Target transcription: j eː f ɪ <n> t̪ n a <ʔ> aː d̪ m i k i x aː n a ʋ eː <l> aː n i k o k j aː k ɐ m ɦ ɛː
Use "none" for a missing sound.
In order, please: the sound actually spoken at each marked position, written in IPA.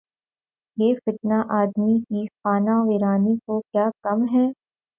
none, ʔ, ɾ

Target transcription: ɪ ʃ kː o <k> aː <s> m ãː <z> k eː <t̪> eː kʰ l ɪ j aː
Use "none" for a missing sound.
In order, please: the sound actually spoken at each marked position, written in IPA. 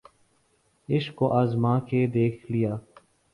ʔ, z, none, d̪

